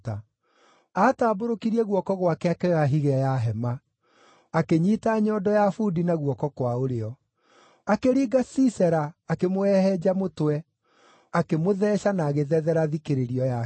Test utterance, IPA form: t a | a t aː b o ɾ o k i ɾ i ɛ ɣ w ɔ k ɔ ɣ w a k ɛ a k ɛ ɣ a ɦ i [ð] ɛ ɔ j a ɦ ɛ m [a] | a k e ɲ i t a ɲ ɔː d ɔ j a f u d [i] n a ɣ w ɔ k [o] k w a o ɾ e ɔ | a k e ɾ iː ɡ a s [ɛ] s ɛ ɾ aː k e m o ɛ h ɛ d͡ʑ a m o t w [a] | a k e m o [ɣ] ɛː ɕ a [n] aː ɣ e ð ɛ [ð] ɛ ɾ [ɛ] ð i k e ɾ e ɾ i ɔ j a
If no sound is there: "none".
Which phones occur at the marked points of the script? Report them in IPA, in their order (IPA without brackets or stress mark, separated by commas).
ɣ, a, i, ɔ, i, ɛ, ð, n, ð, a